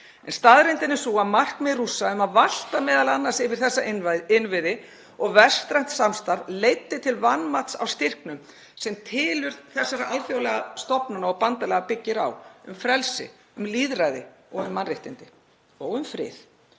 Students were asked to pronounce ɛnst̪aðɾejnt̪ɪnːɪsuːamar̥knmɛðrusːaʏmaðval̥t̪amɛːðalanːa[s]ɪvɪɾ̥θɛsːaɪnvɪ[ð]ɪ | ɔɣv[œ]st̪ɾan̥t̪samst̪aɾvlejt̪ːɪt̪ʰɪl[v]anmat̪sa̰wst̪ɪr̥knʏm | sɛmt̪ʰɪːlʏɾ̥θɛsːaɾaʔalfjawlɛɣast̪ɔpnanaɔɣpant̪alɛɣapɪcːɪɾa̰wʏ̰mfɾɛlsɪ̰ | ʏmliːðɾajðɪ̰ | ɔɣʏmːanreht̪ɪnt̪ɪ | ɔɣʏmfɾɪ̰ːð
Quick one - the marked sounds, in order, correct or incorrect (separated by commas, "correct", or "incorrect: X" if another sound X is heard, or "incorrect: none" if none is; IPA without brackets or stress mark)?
correct, correct, incorrect: ɛ, correct